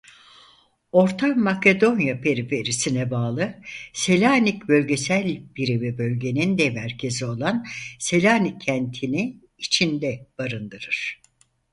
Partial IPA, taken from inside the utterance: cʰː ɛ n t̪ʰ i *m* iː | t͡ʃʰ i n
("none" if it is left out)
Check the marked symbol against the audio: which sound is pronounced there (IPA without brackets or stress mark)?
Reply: n